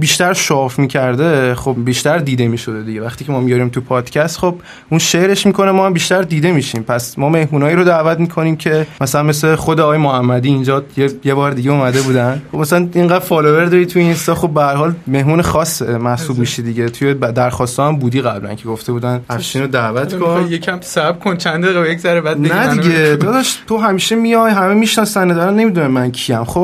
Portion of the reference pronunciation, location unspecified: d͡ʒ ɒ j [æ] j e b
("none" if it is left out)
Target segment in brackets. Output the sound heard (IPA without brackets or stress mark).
e